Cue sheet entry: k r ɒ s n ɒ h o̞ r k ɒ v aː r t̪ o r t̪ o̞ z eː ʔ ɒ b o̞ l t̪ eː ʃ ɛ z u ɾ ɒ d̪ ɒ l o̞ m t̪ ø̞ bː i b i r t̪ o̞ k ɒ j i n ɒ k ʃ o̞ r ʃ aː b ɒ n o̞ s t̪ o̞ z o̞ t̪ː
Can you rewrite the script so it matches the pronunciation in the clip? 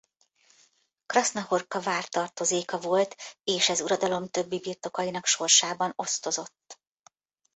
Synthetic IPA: k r ɒ s n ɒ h o̞ r k ɒ v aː r t̪ ɒ r t̪ o̞ z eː k ɒ v o̞ l t̪ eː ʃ ɛ z u ɾ ɒ d̪ ɒ l o̞ m t̪ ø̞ bː i b i r t̪ o̞ k ɒ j i n ɒ k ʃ o̞ r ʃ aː b ɒ n o̞ s t̪ o̞ z o̞ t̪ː